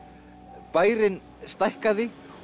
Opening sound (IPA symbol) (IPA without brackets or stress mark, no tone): p